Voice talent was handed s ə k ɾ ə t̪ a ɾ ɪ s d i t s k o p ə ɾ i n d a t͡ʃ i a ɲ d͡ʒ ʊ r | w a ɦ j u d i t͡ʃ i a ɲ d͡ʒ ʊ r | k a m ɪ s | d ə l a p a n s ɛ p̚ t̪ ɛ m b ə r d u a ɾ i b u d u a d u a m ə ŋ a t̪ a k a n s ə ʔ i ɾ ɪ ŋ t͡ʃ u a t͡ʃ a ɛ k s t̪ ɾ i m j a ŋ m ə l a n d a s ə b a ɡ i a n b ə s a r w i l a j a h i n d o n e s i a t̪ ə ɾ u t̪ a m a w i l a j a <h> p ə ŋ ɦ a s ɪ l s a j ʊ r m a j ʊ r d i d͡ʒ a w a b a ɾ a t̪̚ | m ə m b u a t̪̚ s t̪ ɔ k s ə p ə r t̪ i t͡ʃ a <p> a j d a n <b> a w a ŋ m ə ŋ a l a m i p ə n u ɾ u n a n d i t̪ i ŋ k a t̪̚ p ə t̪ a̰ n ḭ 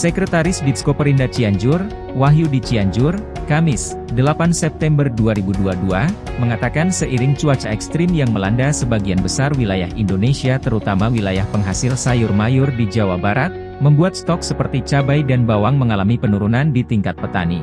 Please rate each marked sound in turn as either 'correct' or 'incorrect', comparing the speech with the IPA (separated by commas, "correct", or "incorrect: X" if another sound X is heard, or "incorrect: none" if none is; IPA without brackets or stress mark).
correct, incorrect: b, correct